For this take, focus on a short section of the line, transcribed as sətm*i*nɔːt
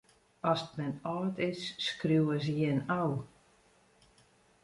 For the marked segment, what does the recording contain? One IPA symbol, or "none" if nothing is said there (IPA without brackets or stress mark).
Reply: ɛ